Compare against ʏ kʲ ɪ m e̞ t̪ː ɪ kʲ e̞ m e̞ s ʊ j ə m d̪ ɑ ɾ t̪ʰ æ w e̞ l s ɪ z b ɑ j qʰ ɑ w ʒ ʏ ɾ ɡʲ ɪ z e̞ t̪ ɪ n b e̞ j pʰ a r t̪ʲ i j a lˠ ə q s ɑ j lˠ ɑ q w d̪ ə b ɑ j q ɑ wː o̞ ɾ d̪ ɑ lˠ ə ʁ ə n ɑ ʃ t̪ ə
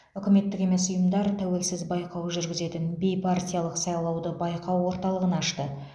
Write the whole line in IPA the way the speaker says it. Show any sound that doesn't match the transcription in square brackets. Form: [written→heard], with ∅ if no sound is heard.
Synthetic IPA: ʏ kʲ ɪ m e̞ t̪ː ɪ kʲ e̞ m e̞ s ʊ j ə m d̪ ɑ ɾ t̪ʰ æ w e̞ l s ɪ z b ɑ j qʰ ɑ w ʒ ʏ ɾ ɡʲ ɪ z e̞ t̪ ɪ n b e̞ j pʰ a r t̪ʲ i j a lˠ ə q s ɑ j lˠ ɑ [q→∅] w d̪ ə b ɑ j q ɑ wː o̞ ɾ [d̪→t̪] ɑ lˠ ə ʁ ə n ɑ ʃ t̪ ə